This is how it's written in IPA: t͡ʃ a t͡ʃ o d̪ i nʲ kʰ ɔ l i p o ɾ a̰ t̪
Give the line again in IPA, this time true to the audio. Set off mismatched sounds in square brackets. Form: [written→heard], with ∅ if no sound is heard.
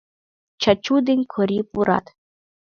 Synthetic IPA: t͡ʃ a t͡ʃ [o→u] d̪ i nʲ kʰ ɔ [l→ɾ] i p [o→u] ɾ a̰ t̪